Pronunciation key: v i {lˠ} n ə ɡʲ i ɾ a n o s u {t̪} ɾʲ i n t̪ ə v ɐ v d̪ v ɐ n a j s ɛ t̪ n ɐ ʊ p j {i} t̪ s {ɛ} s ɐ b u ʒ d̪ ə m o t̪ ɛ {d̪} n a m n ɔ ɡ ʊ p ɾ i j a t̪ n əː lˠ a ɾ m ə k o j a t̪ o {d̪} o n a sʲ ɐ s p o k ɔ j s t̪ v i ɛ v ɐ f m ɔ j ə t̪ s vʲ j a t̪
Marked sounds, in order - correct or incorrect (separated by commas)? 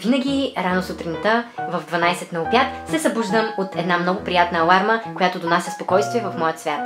incorrect, correct, incorrect, correct, correct, correct